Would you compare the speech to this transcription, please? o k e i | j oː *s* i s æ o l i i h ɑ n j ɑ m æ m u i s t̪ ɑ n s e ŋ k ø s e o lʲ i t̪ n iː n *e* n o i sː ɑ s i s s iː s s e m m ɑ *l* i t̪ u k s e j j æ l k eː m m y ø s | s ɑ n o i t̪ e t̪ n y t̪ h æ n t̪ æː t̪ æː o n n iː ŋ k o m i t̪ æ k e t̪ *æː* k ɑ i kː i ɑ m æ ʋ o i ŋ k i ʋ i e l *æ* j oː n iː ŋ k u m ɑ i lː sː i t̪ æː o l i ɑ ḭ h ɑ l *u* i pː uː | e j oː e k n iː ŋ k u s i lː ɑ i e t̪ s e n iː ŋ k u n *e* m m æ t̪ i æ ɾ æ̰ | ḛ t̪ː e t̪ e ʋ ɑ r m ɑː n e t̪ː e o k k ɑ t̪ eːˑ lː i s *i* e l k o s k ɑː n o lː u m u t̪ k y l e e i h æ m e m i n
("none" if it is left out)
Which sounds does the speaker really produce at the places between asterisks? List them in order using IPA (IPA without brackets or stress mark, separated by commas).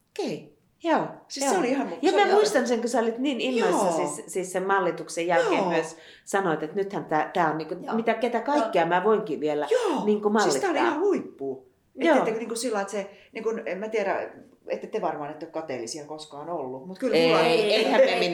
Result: s, i, lː, æ, æ, u, e, i